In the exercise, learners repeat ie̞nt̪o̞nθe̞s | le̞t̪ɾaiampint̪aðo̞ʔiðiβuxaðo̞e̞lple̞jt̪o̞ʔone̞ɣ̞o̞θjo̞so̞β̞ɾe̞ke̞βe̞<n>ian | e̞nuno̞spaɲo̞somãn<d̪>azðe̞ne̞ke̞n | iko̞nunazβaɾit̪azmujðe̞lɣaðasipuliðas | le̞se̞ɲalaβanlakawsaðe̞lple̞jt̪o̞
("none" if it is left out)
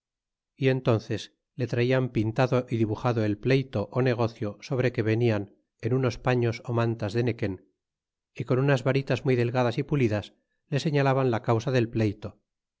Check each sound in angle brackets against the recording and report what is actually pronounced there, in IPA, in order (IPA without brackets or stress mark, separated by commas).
n, t̪